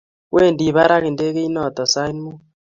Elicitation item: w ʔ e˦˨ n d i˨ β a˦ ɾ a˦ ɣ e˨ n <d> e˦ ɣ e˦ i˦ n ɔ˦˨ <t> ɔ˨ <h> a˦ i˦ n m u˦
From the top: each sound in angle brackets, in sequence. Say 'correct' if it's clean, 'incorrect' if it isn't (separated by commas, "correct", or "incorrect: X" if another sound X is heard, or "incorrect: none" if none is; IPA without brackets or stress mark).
correct, correct, incorrect: s